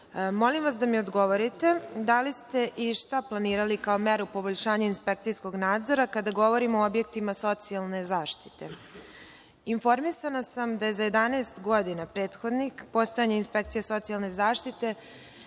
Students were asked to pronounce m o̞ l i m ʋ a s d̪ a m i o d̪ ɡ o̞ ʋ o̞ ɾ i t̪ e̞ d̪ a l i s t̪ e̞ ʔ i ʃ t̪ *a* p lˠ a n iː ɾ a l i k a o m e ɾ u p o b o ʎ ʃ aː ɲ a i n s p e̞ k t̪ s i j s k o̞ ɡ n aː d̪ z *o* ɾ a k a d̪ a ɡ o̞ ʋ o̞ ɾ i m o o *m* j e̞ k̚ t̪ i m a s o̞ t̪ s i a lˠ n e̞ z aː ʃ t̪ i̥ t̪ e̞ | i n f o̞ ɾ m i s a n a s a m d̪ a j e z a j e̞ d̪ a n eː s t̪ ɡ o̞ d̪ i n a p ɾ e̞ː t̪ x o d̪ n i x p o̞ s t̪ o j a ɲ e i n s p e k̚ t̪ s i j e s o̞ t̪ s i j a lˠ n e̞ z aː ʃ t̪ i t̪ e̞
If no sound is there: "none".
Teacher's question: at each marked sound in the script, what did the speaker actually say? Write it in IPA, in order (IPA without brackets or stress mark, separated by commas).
a, o, b